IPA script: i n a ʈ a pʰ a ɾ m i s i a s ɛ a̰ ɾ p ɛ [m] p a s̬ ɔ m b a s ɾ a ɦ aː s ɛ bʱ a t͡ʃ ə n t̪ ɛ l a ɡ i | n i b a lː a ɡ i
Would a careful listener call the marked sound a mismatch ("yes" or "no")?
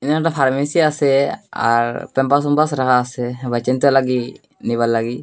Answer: no